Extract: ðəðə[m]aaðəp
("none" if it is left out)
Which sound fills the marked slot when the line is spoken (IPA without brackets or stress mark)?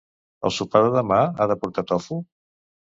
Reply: m